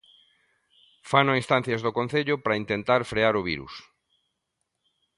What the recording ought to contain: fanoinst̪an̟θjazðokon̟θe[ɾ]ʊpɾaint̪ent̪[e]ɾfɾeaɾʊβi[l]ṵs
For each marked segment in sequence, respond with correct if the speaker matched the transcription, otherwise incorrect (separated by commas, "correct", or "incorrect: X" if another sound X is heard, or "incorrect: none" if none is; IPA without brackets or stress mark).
incorrect: ʎ, incorrect: a, incorrect: ɾ